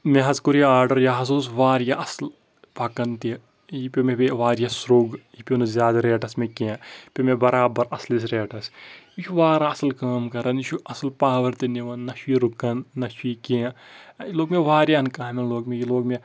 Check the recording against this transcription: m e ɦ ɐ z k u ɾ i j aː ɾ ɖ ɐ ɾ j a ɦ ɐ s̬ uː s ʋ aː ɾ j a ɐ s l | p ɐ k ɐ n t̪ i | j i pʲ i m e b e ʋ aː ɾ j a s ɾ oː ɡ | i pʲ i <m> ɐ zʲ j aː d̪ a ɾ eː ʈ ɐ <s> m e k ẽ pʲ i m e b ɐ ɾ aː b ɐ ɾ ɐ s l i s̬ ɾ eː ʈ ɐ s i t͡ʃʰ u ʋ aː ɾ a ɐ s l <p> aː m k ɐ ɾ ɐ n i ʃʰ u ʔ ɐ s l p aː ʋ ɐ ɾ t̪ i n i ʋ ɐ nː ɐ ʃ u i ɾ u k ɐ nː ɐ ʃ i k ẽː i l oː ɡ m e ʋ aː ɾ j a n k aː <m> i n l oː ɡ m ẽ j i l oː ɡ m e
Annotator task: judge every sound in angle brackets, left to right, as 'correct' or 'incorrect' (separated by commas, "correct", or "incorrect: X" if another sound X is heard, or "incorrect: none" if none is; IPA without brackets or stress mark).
incorrect: n, correct, incorrect: k, correct